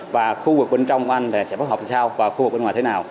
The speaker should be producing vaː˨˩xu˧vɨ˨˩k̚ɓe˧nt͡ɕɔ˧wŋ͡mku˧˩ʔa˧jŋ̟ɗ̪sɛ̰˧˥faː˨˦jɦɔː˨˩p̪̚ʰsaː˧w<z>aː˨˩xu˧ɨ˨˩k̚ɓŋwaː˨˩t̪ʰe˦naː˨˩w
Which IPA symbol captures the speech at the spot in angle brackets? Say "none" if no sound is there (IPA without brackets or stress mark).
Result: v